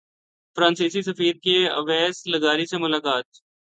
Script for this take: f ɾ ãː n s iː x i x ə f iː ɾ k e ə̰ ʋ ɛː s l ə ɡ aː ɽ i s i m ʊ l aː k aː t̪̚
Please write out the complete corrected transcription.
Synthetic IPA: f ɾ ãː n s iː s i s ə f iː ɾ k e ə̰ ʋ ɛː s l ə ɡ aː ɾ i s e m ʊ l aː k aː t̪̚